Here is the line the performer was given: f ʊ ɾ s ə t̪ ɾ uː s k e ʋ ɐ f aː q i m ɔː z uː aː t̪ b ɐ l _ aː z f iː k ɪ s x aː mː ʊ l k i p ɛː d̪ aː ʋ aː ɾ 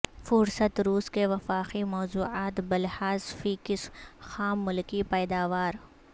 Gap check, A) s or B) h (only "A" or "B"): B